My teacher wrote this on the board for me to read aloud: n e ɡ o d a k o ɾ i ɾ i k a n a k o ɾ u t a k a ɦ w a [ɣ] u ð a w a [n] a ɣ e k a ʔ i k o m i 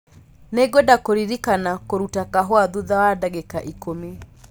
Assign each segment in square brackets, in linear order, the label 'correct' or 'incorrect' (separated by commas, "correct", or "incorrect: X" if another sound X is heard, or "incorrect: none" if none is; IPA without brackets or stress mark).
incorrect: ð, incorrect: d